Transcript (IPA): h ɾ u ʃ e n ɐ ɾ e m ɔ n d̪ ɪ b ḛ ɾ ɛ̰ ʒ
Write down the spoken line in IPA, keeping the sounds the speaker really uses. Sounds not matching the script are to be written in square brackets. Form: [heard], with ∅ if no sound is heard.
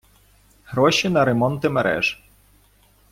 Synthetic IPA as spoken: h ɾ [ɔ] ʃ [i] n ɐ ɾ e m ɔ n [t̪] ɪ [m] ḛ ɾ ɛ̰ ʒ